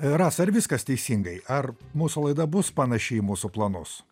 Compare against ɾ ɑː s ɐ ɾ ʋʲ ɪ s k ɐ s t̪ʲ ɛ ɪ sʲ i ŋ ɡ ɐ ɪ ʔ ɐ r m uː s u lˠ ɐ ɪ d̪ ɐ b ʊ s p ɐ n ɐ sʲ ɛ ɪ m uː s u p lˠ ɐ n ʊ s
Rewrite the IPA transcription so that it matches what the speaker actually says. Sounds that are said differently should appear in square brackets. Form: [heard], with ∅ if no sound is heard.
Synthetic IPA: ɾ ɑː s ɐ ɾ ʋʲ ɪ s k ɐ s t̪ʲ ɛ ɪ sʲ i ŋ ɡ ɐ ɪ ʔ ɐ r m uː s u lˠ ɐ ɪ d̪ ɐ b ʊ s p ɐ n ɐ [ʃʲ] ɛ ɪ m uː s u p lˠ ɐ n ʊ s